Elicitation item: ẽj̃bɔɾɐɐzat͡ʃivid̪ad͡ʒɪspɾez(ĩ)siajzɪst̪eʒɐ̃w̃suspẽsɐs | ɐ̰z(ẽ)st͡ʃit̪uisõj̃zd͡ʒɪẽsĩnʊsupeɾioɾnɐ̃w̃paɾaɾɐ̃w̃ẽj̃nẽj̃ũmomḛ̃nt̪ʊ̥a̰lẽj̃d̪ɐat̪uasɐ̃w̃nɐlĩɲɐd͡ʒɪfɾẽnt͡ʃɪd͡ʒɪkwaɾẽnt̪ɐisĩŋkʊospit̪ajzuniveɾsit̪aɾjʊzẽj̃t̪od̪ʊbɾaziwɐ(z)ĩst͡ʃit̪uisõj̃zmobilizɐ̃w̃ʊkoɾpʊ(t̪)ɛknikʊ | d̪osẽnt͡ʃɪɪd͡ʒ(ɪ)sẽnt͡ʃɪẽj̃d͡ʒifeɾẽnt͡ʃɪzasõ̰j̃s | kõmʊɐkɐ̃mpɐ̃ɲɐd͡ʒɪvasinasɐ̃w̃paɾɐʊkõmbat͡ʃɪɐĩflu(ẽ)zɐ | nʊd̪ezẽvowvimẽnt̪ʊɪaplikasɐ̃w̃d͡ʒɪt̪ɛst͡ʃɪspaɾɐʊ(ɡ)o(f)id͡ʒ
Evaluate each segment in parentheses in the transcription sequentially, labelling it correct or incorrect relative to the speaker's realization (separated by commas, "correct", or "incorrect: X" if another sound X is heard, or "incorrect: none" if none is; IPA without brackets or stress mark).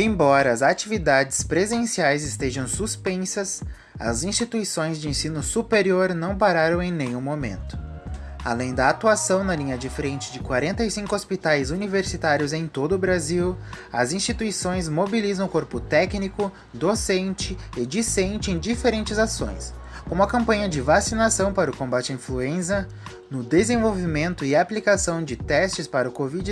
incorrect: ẽ, incorrect: ĩ, correct, correct, incorrect: i, correct, incorrect: k, incorrect: v